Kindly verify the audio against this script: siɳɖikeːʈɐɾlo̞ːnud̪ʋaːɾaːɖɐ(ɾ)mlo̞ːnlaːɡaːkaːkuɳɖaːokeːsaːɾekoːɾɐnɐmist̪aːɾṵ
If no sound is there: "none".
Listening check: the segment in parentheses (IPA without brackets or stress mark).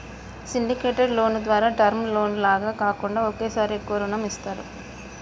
ɾ